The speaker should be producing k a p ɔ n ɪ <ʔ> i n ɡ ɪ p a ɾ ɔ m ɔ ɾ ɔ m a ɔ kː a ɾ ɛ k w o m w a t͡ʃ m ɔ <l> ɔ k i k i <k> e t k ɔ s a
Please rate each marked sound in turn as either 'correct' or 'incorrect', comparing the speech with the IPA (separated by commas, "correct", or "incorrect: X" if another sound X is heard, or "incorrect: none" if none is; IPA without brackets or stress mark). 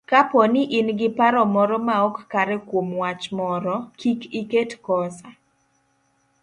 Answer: correct, incorrect: ɾ, correct